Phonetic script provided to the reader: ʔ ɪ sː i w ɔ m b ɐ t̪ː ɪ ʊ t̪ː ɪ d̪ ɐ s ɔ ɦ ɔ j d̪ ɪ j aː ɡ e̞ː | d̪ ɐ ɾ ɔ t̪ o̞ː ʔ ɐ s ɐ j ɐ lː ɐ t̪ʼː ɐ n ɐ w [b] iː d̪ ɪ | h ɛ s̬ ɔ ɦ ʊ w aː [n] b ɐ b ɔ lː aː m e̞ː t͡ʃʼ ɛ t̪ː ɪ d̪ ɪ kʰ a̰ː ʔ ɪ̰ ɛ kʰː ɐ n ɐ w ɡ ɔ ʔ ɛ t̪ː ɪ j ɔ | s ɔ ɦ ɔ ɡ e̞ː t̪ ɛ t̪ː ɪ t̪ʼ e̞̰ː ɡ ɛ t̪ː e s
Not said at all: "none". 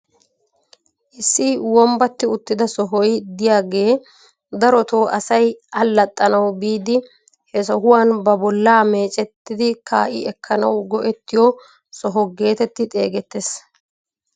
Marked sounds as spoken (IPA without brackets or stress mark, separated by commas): b, n